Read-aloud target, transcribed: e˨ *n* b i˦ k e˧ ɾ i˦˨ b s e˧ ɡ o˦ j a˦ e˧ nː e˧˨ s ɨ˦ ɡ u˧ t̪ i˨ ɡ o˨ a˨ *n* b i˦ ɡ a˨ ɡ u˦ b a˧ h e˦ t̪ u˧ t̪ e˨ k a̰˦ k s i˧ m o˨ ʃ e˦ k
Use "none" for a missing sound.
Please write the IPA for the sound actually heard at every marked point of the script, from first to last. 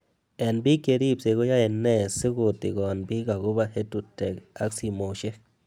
n, n

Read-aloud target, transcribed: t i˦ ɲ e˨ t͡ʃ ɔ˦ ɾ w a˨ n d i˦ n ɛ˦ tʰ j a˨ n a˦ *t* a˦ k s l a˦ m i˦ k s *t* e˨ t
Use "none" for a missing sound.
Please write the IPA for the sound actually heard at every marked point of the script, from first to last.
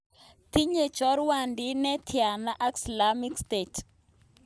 ʔ, t

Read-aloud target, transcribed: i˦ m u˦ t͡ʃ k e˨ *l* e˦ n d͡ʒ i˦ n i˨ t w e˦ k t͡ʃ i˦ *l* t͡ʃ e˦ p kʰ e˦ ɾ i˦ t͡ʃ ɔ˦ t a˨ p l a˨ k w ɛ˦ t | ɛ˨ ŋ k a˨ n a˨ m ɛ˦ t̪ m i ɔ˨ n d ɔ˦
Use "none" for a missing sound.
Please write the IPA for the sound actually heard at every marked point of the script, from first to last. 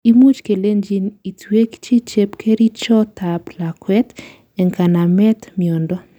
l, none

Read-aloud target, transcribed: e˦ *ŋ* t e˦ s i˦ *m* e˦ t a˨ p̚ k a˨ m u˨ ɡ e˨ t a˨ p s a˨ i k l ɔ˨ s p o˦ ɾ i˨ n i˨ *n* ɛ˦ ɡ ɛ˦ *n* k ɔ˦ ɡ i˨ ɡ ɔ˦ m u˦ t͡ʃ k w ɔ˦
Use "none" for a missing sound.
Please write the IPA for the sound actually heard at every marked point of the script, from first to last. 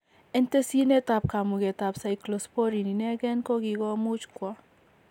n, n, n, n

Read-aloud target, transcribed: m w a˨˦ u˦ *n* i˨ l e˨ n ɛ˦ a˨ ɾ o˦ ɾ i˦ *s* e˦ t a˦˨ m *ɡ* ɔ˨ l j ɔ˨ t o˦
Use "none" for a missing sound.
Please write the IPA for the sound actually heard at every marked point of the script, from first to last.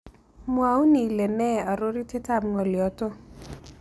n, t, ŋ

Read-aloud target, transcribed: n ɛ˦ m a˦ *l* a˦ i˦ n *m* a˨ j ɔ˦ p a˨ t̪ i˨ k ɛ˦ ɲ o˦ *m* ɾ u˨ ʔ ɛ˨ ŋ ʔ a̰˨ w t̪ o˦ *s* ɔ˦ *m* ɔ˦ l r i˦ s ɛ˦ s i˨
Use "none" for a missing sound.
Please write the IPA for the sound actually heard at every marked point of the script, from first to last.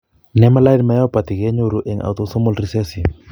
l, m, none, s, m

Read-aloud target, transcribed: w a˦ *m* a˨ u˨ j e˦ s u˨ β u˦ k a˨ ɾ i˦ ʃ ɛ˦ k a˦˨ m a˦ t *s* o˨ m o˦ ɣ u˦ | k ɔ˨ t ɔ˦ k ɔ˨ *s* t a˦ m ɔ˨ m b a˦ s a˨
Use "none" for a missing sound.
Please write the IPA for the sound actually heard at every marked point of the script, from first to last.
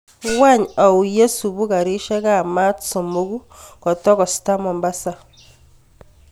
ɲ, s, s

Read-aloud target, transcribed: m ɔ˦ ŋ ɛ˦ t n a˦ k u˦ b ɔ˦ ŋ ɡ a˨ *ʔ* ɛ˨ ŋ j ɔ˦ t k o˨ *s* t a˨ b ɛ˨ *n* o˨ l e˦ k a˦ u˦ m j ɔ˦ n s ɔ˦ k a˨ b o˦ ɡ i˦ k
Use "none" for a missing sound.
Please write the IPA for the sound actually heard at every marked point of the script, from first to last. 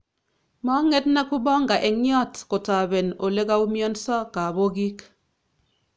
ʔ, none, n

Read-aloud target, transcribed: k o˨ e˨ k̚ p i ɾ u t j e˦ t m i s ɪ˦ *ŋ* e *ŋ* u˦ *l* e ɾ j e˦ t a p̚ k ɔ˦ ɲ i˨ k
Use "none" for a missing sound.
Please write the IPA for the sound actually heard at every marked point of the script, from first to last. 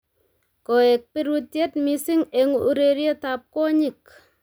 ŋ, ŋ, ɾ

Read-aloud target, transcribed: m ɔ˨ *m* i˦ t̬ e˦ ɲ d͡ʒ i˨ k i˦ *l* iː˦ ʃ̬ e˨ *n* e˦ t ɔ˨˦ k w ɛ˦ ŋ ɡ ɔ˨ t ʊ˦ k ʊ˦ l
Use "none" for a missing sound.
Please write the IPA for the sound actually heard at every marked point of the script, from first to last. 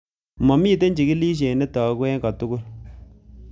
m, l, n

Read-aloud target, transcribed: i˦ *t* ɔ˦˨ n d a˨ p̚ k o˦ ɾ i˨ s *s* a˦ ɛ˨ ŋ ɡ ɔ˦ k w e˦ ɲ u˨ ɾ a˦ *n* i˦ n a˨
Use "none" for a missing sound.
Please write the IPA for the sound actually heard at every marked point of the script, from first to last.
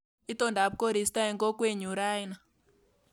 t, t, none

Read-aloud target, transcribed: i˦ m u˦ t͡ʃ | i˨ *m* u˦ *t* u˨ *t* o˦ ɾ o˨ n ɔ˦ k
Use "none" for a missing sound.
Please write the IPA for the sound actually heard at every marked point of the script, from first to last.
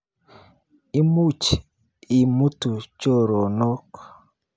m, t, t͡ʃ

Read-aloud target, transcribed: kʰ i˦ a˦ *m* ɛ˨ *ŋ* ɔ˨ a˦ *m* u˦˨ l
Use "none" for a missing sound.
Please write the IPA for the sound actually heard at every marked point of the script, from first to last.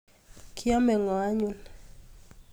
m, ŋ, ɲ

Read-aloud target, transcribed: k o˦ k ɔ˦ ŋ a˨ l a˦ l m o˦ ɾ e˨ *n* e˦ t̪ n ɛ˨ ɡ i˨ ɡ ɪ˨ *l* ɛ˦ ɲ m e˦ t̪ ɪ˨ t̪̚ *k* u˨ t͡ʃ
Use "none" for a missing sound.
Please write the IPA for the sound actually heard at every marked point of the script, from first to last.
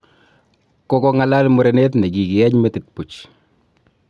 n, none, p

